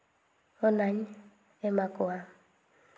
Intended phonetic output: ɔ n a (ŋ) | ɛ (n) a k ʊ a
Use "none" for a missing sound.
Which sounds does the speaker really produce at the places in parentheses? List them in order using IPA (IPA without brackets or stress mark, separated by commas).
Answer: ɲ, m